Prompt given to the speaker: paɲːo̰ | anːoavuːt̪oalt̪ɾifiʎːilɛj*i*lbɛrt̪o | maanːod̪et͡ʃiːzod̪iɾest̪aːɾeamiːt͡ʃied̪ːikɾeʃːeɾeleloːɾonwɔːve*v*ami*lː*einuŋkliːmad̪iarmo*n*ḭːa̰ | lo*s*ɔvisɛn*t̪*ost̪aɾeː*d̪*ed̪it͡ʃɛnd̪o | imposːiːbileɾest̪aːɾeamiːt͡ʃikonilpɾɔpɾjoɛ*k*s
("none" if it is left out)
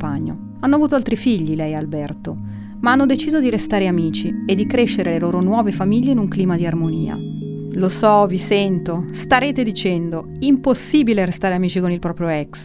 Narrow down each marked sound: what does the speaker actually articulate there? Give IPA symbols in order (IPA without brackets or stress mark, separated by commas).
a, f, ʎː, n, s, t̪, t̪, k